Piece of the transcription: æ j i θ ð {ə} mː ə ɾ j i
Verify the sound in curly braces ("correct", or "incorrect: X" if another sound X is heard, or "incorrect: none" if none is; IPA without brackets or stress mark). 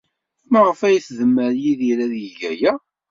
correct